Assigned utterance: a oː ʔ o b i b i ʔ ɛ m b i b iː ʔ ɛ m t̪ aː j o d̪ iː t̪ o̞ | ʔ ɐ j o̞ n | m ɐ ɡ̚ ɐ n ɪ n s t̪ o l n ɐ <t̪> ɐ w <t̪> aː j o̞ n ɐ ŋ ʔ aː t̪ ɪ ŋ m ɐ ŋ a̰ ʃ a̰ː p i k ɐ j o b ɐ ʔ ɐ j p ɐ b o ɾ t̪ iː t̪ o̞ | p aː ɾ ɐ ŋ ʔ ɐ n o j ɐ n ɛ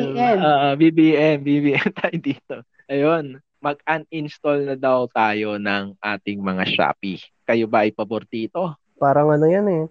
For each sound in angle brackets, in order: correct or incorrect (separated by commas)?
incorrect, correct